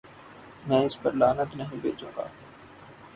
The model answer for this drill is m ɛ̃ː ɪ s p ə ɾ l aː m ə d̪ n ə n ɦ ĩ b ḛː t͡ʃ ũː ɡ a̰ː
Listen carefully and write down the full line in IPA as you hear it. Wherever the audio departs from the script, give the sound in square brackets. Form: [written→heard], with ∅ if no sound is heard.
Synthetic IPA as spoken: m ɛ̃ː ɪ s p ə ɾ l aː [m→n] ə [d̪→t̪] n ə [n→∅] ɦ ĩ b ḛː t͡ʃ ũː ɡ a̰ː

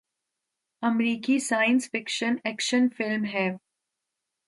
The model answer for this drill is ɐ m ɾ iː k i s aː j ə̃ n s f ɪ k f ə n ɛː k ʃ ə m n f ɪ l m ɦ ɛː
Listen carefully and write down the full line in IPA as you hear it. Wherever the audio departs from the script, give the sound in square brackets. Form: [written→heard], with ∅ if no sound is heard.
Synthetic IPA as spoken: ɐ m ɾ iː k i s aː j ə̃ n s f ɪ k [f→ʃ] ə n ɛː k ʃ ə [m→∅] n f ɪ l m ɦ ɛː

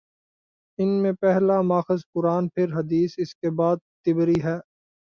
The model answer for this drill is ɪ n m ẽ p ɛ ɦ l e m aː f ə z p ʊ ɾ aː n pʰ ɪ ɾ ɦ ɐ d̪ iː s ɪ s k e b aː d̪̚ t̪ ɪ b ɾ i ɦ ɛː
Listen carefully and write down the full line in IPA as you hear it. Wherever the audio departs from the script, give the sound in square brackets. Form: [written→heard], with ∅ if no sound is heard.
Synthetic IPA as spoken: ɪ n m ẽ p ɛ ɦ l [e→a] m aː [f→x] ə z p ʊ ɾ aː n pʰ ɪ ɾ ɦ ɐ d̪ iː s ɪ s k e b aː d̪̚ t̪ ɪ b ɾ i ɦ ɛː

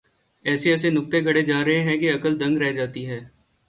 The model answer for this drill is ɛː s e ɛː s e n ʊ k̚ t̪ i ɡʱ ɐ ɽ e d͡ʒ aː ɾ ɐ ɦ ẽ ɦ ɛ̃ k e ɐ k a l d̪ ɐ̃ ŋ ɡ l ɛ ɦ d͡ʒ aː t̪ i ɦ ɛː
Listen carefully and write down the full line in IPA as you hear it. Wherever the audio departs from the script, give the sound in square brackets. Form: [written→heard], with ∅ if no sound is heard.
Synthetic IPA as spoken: ɛː s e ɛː s e n ʊ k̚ t̪ [i→e] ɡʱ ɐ ɽ e d͡ʒ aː ɾ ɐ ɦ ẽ ɦ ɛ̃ k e ɐ k [a→ə] l d̪ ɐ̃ ŋ ɡ [l→ɾ] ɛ ɦ d͡ʒ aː t̪ i ɦ ɛː

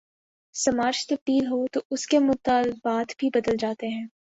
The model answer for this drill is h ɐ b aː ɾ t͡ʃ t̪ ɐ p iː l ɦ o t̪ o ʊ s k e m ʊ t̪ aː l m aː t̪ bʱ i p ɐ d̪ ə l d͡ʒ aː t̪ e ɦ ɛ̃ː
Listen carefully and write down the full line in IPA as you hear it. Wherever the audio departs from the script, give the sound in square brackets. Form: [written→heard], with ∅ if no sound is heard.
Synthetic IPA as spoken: [h→s] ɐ [b→m] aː ɾ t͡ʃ t̪ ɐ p iː l ɦ o t̪ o ʊ s k e m ʊ t̪ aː l [m→b] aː t̪ bʱ i [p→b] ɐ d̪ ə l d͡ʒ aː t̪ e ɦ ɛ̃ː

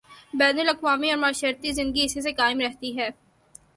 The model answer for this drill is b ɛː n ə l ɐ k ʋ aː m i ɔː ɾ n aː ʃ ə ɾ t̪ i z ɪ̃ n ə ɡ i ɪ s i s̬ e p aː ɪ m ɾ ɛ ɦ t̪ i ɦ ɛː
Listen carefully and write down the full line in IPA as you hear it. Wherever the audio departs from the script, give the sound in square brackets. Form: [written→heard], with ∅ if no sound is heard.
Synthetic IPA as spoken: b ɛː n ə l ɐ k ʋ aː m i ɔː ɾ [n→m] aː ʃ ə ɾ t̪ i z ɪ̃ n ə ɡ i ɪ s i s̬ e [p→k] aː ɪ m ɾ ɛ ɦ t̪ i ɦ ɛː

